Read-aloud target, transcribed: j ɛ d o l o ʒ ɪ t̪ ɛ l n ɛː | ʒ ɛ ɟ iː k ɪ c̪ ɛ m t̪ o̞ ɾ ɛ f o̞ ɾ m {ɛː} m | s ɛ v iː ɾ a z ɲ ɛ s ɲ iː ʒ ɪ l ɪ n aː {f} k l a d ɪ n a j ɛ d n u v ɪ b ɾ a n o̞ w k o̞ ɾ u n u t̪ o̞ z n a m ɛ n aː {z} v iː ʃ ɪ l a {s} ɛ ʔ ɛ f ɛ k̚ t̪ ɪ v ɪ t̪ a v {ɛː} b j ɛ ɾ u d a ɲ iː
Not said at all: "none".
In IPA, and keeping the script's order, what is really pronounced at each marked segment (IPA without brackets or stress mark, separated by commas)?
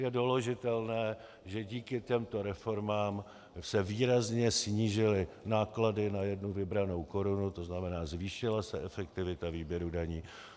aː, none, z, s, iː